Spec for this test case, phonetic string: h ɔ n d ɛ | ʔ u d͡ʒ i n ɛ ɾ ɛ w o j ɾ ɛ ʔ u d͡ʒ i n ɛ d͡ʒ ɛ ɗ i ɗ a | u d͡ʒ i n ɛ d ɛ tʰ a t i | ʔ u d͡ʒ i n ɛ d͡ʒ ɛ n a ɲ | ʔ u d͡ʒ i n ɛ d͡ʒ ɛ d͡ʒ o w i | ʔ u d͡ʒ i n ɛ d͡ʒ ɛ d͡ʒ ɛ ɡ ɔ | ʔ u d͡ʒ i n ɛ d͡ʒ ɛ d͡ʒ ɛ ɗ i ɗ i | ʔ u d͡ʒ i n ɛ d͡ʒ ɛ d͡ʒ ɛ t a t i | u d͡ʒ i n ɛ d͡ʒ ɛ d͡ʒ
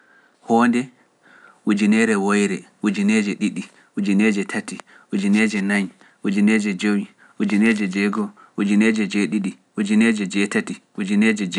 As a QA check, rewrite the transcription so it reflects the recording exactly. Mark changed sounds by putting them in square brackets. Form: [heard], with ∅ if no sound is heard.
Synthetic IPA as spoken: h ɔ n d ɛ | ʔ u d͡ʒ i n ɛ ɾ ɛ w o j ɾ ɛ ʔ u d͡ʒ i n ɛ d͡ʒ ɛ ɗ i ɗ [i] | u d͡ʒ i n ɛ [d͡ʒ] ɛ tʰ a t i | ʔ u d͡ʒ i n ɛ d͡ʒ ɛ n a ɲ | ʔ u d͡ʒ i n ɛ d͡ʒ ɛ d͡ʒ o w i | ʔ u d͡ʒ i n ɛ d͡ʒ ɛ d͡ʒ ɛ ɡ ɔ | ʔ u d͡ʒ i n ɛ d͡ʒ ɛ d͡ʒ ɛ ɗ i ɗ i | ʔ u d͡ʒ i n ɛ d͡ʒ ɛ d͡ʒ ɛ t a t i | u d͡ʒ i n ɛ d͡ʒ ɛ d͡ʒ